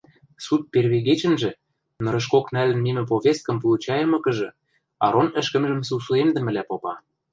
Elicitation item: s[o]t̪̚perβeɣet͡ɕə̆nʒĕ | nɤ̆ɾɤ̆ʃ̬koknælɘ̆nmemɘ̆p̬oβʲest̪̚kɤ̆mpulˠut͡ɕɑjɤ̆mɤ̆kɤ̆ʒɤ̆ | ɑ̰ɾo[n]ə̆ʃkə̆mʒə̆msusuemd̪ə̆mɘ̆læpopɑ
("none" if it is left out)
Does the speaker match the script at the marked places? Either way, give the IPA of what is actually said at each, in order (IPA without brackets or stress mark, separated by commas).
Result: u, n